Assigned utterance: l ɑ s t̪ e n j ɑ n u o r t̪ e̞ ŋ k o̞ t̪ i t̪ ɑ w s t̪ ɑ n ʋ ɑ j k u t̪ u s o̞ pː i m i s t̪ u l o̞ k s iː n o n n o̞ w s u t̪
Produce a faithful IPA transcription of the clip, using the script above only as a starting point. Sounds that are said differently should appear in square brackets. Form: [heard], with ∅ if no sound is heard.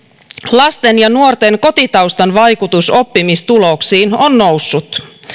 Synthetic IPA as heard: l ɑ s t̪ e n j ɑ n u o r t̪ e̞ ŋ k o̞ t̪ i t̪ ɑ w s t̪ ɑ n ʋ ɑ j k u t̪ u s o̞ pː i m i s t̪ u l o̞ k s iː n o n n o̞ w [sː] u t̪